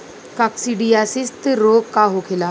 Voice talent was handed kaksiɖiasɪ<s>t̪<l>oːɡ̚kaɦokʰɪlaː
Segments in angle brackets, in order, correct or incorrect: correct, incorrect: ɾ

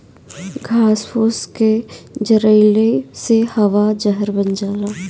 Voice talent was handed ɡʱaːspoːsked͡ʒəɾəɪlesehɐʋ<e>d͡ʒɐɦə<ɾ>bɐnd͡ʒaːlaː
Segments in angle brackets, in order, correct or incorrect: incorrect: a, correct

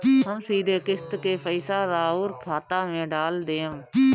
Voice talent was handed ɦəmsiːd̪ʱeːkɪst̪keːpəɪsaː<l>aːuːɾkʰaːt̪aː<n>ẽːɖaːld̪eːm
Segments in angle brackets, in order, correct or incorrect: incorrect: ɾ, incorrect: m

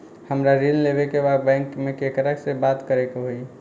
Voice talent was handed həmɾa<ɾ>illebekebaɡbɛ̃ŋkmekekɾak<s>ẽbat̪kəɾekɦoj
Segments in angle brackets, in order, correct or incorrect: correct, correct

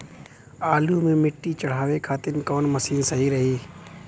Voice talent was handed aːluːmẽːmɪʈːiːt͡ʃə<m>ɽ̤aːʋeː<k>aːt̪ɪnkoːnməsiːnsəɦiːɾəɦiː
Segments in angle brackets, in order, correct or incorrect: incorrect: none, incorrect: kʰ

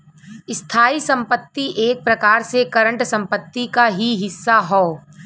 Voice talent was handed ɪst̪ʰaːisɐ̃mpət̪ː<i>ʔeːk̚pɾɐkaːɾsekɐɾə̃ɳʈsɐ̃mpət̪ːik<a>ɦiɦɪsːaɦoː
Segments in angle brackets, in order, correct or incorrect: correct, correct

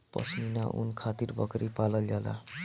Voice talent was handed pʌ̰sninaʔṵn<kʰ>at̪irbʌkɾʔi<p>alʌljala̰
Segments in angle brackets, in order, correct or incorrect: correct, correct

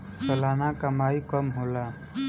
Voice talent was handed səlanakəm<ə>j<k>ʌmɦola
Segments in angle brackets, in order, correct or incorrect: incorrect: a, correct

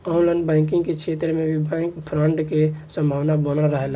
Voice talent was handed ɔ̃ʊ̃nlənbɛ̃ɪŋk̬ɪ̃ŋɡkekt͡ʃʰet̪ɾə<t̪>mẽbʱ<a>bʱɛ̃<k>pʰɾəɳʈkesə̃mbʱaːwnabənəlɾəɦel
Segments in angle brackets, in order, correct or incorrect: incorrect: none, incorrect: i, correct

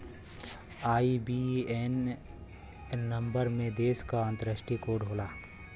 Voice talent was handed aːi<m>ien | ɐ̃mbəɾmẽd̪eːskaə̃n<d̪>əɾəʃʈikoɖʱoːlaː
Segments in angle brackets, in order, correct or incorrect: incorrect: b, incorrect: t̪

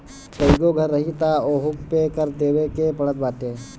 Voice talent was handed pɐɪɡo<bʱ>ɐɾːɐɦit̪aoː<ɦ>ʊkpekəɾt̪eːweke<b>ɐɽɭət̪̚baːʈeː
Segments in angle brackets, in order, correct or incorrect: incorrect: ɡʱ, correct, incorrect: p

